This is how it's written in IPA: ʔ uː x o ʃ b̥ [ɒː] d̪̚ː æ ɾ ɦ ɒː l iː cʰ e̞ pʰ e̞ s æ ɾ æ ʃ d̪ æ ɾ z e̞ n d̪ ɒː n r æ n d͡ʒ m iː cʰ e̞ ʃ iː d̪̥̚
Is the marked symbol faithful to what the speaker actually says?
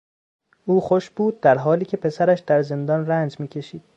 no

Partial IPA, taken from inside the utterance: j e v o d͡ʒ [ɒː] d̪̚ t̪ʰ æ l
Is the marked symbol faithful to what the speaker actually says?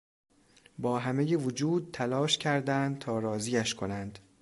no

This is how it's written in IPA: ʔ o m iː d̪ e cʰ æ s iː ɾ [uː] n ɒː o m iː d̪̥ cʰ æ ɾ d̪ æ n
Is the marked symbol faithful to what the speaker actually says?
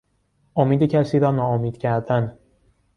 no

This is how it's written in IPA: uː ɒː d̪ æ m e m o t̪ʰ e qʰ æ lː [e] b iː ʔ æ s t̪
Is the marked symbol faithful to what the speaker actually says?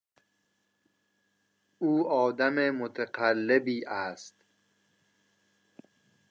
yes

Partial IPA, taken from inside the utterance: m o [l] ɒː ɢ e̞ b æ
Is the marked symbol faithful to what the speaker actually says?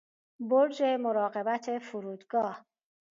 no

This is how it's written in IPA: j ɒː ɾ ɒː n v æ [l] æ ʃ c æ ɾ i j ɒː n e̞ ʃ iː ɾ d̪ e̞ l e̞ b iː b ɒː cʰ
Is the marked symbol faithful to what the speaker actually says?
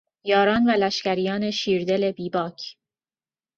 yes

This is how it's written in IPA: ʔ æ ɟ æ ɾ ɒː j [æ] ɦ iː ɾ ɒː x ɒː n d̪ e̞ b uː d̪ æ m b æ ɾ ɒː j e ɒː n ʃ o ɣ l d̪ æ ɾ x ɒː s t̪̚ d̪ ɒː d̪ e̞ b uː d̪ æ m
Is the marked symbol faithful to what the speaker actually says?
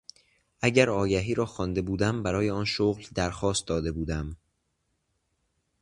yes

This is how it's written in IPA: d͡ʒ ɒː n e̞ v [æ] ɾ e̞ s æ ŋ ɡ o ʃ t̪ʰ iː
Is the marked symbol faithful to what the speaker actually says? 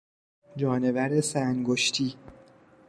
yes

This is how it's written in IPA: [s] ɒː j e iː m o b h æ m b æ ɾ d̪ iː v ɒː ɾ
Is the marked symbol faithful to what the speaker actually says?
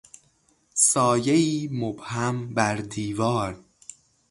yes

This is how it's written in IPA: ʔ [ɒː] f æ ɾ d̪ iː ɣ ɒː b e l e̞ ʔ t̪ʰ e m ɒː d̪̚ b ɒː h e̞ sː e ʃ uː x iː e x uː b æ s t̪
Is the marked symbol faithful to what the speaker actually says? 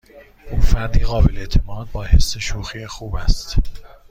no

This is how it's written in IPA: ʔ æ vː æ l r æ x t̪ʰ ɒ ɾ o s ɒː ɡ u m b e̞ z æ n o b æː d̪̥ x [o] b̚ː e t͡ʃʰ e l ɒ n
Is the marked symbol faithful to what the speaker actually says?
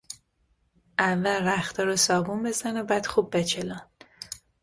no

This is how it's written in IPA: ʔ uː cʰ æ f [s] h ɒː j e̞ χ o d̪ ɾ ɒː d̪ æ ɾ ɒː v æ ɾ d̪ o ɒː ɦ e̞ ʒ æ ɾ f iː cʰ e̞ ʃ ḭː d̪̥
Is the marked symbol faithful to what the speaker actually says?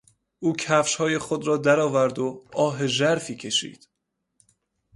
no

